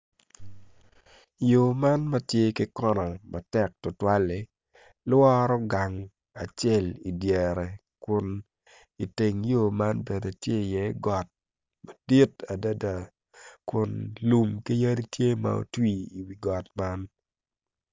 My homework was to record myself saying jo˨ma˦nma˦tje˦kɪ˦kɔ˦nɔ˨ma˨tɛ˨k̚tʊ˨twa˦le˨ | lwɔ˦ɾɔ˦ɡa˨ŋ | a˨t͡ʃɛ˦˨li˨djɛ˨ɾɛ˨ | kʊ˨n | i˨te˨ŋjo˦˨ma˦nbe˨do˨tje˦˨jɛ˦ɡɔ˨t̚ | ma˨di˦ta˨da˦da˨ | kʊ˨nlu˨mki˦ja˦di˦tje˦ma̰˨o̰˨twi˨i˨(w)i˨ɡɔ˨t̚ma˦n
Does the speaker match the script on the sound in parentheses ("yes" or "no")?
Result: yes